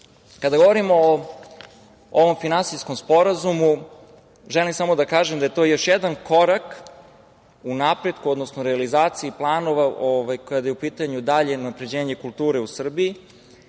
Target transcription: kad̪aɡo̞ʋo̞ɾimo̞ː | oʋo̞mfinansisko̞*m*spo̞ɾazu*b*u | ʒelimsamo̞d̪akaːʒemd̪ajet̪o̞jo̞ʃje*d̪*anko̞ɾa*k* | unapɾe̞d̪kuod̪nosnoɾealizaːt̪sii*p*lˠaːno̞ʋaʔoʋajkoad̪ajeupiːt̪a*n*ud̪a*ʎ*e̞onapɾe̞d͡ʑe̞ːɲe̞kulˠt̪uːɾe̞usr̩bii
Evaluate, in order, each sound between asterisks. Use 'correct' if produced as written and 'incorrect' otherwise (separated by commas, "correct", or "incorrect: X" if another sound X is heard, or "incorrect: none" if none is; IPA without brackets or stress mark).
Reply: correct, incorrect: m, correct, correct, correct, incorrect: ɲ, correct